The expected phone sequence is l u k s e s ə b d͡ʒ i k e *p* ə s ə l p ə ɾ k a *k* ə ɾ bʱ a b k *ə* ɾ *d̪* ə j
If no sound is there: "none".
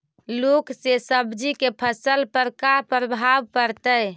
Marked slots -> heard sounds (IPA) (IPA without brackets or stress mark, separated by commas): pʰ, p, ə, t̪